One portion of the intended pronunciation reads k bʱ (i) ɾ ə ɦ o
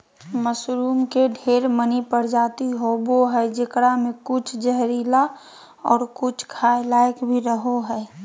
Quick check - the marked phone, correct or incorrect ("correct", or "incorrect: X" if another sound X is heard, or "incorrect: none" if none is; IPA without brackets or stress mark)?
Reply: correct